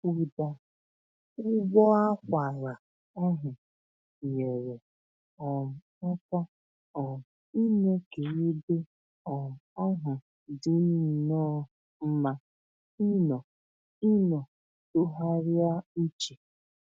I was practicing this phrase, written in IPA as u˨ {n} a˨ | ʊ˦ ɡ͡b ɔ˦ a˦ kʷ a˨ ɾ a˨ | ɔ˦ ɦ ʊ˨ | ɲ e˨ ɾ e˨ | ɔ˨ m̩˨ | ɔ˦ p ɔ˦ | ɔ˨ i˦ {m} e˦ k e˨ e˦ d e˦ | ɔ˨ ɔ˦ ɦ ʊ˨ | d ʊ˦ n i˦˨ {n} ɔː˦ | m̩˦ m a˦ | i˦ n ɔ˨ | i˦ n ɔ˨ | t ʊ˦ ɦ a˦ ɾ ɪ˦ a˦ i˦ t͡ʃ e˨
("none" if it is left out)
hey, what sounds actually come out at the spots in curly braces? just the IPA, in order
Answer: d, n, n

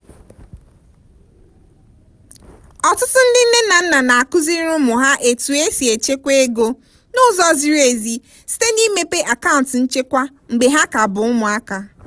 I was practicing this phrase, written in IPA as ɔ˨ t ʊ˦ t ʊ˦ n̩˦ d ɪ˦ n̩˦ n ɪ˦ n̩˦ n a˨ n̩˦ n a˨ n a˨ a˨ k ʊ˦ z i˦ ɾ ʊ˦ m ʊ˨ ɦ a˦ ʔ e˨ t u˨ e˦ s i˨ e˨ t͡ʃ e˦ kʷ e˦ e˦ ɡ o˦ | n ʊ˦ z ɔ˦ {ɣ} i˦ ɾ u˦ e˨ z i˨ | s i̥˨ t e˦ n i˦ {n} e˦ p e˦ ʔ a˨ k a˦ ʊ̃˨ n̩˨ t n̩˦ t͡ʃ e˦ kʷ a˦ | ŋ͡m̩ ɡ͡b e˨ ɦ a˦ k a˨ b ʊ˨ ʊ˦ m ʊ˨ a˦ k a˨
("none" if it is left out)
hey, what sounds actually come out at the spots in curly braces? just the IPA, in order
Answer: z, m

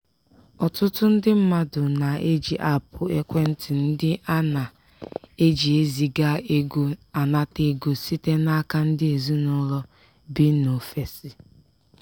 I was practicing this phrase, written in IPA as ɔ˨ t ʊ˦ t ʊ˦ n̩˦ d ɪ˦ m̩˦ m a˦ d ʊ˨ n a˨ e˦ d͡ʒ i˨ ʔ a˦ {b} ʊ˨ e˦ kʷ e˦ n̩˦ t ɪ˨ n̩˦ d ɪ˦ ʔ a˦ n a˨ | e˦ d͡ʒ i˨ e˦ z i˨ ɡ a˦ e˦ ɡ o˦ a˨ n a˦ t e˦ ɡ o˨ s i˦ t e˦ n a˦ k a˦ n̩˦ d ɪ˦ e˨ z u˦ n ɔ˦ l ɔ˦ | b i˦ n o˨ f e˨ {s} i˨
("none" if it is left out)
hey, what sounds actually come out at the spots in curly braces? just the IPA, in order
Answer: p, s

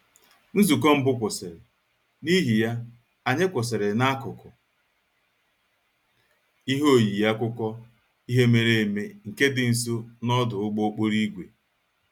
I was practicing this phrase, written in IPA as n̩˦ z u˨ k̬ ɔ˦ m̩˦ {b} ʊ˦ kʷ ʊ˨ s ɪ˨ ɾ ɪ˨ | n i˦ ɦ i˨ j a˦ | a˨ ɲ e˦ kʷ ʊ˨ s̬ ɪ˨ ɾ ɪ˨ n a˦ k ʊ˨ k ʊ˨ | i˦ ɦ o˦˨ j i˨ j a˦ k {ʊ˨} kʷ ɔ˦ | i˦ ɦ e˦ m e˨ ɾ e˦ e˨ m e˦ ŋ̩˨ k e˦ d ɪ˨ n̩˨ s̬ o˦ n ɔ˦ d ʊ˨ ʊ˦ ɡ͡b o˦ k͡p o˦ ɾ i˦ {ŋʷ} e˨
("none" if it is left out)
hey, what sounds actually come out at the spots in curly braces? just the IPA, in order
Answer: b, ʊ˦, ɡʷ

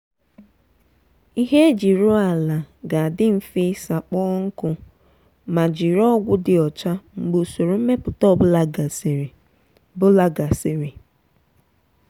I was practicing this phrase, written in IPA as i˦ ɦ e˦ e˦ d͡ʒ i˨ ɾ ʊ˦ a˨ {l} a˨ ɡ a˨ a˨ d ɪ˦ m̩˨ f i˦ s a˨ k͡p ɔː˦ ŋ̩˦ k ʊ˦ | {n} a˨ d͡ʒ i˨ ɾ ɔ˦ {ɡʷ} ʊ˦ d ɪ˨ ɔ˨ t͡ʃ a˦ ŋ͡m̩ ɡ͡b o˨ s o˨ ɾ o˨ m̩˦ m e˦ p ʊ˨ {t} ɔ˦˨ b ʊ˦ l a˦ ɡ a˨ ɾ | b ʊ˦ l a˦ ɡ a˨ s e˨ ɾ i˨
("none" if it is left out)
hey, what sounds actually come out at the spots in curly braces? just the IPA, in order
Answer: l, m, ɡʷ, t

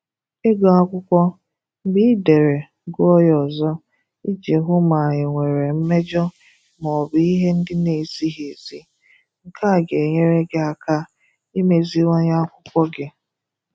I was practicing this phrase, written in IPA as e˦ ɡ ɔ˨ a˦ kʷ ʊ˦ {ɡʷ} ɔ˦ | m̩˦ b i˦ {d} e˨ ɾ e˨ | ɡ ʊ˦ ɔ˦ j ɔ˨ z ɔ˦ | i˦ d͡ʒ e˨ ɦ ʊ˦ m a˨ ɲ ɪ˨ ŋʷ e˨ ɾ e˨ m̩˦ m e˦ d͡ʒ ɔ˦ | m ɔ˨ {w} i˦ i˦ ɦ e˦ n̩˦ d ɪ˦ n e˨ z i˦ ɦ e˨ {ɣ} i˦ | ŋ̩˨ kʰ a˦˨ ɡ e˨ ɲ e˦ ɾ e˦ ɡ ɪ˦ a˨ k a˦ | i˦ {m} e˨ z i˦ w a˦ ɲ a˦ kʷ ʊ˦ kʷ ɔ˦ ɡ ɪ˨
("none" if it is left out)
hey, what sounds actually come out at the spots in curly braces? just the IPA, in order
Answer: kʷ, d, b, z, m

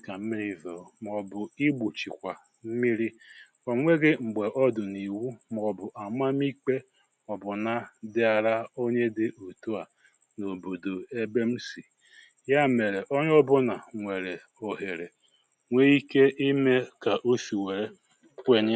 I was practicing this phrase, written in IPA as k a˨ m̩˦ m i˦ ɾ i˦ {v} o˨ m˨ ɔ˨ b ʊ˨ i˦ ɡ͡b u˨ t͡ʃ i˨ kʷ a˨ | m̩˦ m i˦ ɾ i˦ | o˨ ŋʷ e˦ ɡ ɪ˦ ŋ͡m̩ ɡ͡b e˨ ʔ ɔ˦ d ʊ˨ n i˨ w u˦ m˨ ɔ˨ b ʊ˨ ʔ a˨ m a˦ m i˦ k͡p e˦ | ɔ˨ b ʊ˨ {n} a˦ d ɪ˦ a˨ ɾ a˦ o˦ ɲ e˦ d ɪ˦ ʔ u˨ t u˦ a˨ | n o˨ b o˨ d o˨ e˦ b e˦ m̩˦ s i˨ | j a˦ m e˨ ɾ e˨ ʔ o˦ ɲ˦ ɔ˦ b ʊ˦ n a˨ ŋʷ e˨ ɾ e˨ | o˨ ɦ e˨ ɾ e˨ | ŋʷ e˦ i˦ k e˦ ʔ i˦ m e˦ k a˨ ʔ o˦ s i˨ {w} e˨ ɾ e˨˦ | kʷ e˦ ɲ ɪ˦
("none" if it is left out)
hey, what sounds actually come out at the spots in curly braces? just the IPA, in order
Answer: v, n, w

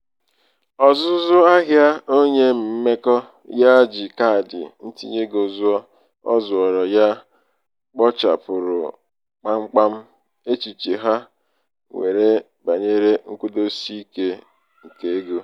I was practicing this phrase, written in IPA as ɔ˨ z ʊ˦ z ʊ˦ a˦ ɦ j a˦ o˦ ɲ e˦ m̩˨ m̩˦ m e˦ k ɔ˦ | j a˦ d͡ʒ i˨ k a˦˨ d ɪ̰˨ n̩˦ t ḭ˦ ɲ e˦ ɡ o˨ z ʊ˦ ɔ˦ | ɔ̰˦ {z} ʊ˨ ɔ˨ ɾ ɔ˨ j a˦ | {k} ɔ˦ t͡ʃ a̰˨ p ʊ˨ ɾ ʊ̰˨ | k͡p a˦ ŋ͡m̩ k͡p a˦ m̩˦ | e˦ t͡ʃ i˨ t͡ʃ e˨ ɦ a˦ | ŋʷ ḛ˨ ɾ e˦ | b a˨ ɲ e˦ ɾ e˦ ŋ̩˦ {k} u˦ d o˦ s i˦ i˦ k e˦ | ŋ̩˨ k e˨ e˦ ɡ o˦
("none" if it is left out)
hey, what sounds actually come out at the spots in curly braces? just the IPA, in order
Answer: z, k͡p, k

